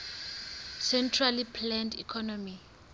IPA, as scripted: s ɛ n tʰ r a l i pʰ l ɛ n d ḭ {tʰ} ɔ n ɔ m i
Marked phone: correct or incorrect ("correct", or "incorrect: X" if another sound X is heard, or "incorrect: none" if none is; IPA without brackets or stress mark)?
incorrect: kʰ